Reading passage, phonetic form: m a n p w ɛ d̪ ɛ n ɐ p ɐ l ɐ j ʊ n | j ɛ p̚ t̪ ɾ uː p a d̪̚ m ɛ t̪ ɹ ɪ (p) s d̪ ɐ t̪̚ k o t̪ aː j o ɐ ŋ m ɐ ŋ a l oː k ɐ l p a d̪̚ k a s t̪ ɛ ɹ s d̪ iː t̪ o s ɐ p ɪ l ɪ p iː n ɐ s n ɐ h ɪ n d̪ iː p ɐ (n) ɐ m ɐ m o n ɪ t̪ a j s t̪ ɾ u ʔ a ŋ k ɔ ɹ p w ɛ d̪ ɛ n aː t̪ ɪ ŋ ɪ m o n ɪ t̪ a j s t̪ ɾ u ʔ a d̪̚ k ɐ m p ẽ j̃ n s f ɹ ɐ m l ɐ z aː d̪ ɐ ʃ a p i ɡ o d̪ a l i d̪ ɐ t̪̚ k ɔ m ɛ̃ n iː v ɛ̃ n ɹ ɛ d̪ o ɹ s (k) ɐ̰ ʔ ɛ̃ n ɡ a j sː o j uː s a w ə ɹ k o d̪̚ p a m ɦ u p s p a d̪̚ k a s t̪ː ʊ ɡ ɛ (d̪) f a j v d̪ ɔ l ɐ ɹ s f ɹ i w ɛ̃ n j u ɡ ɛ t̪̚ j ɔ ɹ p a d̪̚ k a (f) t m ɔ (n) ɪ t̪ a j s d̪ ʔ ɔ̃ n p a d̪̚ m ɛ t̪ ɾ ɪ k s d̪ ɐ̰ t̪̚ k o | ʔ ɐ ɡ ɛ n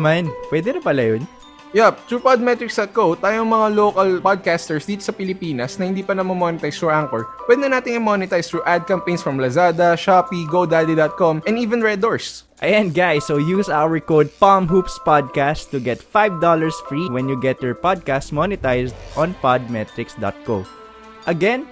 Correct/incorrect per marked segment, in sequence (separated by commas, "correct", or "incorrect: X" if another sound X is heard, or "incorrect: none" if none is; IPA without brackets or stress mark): incorrect: k, correct, incorrect: ʔ, incorrect: t̪, incorrect: s, correct